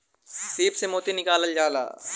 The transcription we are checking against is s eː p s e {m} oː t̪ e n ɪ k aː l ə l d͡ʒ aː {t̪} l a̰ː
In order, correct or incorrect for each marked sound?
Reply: correct, incorrect: none

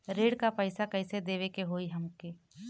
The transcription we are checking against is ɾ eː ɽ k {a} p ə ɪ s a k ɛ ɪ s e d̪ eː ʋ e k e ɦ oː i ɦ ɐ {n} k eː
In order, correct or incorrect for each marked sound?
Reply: correct, incorrect: m

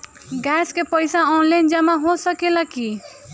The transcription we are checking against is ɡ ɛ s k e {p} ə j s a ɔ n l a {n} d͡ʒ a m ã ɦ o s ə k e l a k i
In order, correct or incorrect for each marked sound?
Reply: correct, correct

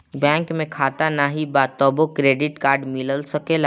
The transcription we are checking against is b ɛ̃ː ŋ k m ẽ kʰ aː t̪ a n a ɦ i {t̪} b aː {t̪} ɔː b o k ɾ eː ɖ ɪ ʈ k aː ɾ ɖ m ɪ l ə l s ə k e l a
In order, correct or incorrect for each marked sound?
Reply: incorrect: none, correct

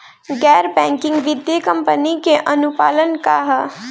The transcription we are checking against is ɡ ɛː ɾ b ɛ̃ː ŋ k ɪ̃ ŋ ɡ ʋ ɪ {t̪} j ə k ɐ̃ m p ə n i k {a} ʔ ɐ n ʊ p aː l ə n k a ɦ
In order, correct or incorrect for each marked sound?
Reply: incorrect: d̪, incorrect: e

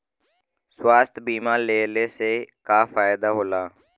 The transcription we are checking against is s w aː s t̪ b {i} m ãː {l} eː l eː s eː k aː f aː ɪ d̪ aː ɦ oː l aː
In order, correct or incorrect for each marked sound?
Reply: incorrect: iː, correct

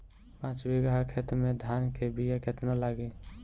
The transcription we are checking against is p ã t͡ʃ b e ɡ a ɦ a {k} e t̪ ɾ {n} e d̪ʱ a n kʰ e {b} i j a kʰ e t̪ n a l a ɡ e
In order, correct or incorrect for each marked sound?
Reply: incorrect: kʰ, incorrect: m, correct

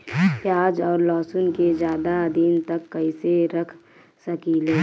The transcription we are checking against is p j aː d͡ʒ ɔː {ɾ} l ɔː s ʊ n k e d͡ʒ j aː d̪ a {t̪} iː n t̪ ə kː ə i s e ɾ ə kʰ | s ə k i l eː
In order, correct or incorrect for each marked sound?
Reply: correct, incorrect: d̪

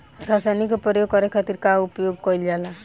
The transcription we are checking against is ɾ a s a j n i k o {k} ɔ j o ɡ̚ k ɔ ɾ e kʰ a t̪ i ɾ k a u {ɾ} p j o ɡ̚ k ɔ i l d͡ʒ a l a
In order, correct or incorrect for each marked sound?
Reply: incorrect: p, incorrect: none

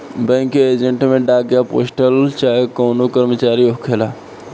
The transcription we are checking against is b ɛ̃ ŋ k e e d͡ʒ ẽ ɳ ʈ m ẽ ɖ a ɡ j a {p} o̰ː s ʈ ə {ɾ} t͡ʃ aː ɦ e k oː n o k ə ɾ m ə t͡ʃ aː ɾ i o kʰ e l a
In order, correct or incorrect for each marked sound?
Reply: correct, incorrect: l

